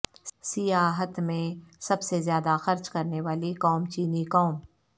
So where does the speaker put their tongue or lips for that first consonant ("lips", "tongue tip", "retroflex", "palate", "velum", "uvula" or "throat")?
tongue tip